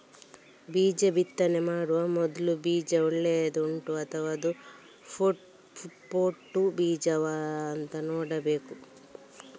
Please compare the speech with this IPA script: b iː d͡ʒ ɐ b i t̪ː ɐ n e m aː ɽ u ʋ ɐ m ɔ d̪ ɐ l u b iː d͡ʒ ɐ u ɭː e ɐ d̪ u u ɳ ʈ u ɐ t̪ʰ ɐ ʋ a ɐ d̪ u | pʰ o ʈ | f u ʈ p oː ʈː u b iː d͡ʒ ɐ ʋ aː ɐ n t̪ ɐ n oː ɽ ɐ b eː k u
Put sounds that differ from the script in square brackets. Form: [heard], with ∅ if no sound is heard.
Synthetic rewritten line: b iː d͡ʒ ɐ b i t̪ː ɐ n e m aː ɽ u ʋ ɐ m ɔ d̪ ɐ l u b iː d͡ʒ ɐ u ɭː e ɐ d̪ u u ɳ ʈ u ɐ t̪ʰ ɐ ʋ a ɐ d̪ u | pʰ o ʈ | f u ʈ p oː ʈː u b iː d͡ʒ ɐ ʋ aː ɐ n t̪ ɐ n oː ɽ ɐ b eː k u

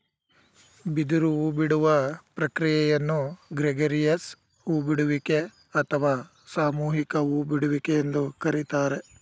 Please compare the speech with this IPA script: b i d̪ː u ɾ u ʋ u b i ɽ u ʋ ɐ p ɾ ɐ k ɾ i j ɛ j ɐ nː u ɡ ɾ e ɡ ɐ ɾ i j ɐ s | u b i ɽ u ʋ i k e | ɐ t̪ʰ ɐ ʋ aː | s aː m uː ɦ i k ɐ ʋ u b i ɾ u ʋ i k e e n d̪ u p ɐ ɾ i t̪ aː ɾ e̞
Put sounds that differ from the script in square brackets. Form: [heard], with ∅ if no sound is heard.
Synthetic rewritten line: b i [d̪] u ɾ u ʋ u b i ɽ u ʋ ɐ p ɾ ɐ k ɾ i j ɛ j ɐ nː u ɡ ɾ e ɡ ɐ ɾ i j ɐ s | u b i ɽ u ʋ i k e | ɐ t̪ʰ ɐ ʋ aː | s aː m uː ɦ i k ɐ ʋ u b i [ɽ] u ʋ i k e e n d̪ u [k] ɐ ɾ i t̪ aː ɾ e̞

